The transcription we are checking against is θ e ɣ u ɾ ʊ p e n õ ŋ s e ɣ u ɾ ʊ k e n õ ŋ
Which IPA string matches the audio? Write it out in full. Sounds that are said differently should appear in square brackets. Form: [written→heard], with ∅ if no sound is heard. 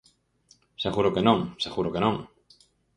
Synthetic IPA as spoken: [θ→s] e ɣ u ɾ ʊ [p→k] e n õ ŋ s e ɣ u ɾ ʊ k e n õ ŋ

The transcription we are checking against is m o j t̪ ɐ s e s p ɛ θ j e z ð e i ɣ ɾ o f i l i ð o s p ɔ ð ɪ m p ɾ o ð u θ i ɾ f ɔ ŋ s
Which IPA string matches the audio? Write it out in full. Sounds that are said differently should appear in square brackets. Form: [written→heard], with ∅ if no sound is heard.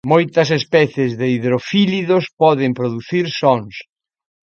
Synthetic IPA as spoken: m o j t̪ ɐ s e s p ɛ θ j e z ð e i [ɣ→ð] ɾ o f i l i ð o s p ɔ ð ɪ m p ɾ o ð u θ i ɾ [f→s] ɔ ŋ s

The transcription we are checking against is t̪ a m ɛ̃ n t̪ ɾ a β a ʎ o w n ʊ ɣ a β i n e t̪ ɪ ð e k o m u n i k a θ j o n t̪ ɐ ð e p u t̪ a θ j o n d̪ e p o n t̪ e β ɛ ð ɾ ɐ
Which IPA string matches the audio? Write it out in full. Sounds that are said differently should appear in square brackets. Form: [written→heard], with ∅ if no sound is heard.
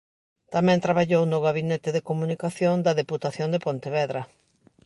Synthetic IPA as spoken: t̪ a m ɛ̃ n t̪ ɾ a β a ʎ o w n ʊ ɣ a β i n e t̪ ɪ ð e k o m u n i k a θ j o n [t̪→d̪] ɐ ð e p u t̪ a θ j o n d̪ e p o n t̪ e β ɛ ð ɾ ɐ

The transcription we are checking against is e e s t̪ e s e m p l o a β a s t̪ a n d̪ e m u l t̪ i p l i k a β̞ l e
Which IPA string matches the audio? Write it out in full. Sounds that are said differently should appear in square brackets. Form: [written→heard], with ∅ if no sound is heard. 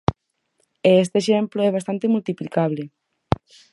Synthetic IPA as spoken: e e s t̪ e [s→ʃ] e m p l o [a→ɛ] β a s t̪ a n [d̪→t̪] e m u l t̪ i p l i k a β̞ l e

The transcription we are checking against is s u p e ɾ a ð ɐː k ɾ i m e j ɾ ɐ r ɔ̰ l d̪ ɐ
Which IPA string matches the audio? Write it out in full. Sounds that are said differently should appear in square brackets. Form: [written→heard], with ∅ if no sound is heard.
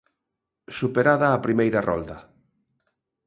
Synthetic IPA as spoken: s u p e ɾ a ð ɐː [k→p] ɾ i m e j ɾ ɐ r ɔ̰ l d̪ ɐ

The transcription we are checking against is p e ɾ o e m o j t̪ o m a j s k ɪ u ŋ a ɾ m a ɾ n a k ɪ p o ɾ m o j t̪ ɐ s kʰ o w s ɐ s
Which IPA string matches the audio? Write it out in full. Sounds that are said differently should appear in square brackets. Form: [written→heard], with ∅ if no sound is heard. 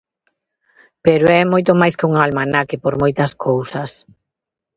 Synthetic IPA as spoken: p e ɾ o [e→ɛ] m o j t̪ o m a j s k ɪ u ŋ a [ɾ→l] m a [ɾ→∅] n a k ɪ p o ɾ m o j t̪ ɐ s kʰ o w s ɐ s

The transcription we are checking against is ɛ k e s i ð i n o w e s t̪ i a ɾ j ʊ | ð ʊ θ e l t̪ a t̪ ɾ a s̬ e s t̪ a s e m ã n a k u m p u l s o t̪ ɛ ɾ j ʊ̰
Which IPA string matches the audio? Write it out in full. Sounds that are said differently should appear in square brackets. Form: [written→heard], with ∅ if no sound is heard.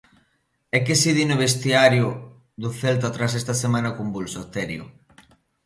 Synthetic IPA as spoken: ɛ k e s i ð i n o [w→β] e s t̪ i a ɾ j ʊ | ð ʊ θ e l t̪ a t̪ ɾ a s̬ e s t̪ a s e m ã n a k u m [p→b] u l s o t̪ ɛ ɾ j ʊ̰

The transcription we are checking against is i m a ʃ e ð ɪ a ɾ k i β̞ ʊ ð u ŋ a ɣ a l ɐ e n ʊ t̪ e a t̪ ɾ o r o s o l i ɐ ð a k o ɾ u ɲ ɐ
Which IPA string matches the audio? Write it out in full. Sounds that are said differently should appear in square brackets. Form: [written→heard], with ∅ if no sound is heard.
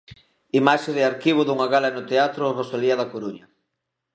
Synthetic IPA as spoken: i m a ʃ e ð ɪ a ɾ k i β̞ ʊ ð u ŋ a ɣ a l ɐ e n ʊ t̪ e a t̪ ɾ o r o s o l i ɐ ð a k o ɾ u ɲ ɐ

